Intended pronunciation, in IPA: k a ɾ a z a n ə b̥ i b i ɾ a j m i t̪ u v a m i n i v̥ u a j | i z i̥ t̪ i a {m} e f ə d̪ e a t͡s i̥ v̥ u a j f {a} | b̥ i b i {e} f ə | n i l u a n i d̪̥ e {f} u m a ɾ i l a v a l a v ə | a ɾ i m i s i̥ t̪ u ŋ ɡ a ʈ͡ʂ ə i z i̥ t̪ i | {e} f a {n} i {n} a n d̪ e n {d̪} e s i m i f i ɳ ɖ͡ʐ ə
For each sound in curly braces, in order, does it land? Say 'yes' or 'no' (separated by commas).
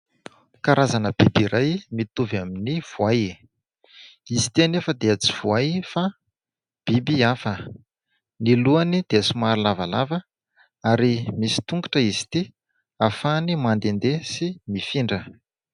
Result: no, yes, no, no, no, yes, no, yes